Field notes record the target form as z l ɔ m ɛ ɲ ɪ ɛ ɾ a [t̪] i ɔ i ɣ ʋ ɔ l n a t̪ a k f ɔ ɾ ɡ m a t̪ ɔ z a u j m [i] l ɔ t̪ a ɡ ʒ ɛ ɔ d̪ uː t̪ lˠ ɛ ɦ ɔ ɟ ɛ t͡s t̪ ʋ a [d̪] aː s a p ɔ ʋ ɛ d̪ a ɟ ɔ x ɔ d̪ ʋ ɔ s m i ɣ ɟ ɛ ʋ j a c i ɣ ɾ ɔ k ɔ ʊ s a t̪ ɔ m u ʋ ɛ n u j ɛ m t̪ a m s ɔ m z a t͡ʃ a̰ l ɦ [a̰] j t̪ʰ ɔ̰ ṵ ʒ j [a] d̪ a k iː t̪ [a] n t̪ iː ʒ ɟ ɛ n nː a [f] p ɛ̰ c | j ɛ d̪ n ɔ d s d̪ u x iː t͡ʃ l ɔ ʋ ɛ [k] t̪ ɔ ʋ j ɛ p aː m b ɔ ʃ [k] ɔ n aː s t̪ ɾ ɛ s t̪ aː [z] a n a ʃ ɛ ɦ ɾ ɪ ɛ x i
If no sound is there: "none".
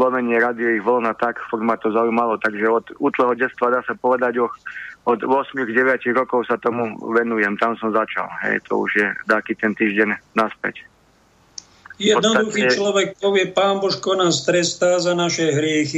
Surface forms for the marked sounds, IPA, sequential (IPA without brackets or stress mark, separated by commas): d̪, a, d̪, ɛ̰, ɛ, ɛ, s, k, k, z